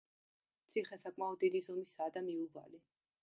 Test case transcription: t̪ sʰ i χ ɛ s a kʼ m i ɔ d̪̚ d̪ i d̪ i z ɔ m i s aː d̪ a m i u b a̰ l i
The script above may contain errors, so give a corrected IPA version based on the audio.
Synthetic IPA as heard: t̪ sʰ i χ ɛ s a kʼ m a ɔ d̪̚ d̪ i d̪ i z ɔ m i s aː d̪ a m i u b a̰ l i